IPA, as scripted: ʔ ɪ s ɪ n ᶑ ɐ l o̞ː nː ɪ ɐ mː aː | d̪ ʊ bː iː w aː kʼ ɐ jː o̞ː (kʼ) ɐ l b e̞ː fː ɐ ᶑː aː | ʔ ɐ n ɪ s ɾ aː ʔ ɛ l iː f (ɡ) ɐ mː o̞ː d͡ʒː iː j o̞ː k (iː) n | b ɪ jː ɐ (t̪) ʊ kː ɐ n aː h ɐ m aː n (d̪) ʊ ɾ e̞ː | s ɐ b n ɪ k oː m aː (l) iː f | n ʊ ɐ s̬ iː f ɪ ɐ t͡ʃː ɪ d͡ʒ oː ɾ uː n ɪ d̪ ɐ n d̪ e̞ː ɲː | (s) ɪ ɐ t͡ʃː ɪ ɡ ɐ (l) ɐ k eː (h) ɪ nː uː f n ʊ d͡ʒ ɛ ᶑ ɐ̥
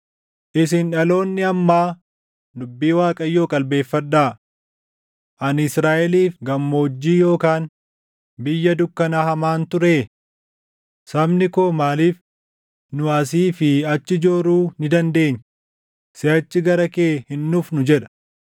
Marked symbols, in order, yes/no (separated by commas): yes, yes, no, no, no, yes, yes, no, yes